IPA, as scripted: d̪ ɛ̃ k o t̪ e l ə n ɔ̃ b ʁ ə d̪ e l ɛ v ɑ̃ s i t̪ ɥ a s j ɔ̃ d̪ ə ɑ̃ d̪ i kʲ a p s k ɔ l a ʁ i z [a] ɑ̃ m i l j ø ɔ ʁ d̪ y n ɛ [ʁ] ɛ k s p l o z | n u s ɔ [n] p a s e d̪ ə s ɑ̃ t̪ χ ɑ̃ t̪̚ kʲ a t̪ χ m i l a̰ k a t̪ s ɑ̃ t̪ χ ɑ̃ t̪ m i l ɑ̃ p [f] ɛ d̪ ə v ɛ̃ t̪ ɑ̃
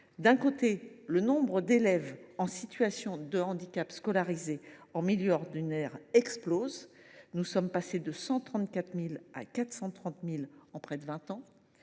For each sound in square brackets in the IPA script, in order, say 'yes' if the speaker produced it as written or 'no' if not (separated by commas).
no, yes, no, no